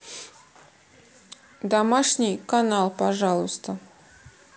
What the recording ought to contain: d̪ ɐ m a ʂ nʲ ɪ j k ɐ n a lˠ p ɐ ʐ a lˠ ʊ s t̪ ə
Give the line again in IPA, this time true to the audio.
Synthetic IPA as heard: d̪ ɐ m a ʂ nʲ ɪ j k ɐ n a lˠ p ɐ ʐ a lˠ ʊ s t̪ ə